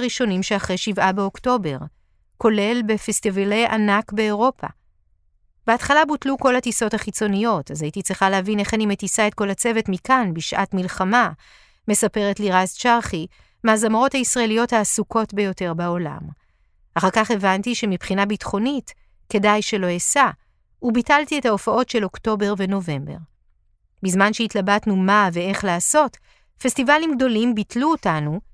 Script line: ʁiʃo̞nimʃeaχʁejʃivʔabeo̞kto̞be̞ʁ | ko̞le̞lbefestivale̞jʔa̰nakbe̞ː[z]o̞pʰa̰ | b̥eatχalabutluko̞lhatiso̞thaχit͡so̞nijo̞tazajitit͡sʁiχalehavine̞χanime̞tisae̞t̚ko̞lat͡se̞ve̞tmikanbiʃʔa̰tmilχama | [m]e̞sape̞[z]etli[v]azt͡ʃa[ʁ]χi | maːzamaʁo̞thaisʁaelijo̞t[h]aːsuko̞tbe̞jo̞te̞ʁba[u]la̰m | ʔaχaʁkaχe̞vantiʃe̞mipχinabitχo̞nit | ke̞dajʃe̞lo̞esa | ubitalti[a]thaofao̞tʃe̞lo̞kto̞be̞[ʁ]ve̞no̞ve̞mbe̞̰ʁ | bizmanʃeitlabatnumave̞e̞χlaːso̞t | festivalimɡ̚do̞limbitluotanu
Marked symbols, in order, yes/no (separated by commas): no, yes, no, no, yes, yes, no, no, yes